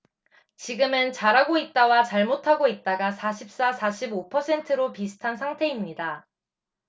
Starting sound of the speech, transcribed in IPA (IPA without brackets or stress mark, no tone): t͡ɕ